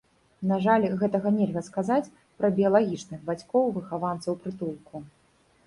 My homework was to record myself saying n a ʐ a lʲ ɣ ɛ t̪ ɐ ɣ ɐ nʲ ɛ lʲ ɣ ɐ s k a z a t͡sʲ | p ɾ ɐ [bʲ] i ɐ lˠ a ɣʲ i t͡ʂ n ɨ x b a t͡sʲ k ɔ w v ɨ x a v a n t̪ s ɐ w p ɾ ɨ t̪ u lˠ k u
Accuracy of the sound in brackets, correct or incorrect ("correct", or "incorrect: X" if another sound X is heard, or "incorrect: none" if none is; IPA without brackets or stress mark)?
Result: correct